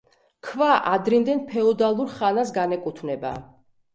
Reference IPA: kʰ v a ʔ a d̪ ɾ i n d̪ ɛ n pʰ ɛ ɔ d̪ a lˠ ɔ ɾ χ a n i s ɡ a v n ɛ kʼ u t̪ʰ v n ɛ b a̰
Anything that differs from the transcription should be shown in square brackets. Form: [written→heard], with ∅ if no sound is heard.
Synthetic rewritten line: kʰ v a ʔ a d̪ ɾ i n d̪ ɛ n pʰ ɛ ɔ d̪ a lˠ [ɔ→u] ɾ χ a n [i→a] s ɡ a [v→∅] n ɛ kʼ u t̪ʰ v n ɛ b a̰